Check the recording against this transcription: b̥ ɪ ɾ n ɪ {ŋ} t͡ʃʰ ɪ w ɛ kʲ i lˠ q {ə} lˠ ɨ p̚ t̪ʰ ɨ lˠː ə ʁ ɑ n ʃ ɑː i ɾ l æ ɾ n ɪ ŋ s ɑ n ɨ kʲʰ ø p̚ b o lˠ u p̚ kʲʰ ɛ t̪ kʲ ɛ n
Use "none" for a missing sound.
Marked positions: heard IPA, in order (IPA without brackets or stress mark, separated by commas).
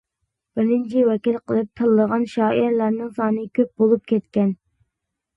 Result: n, ə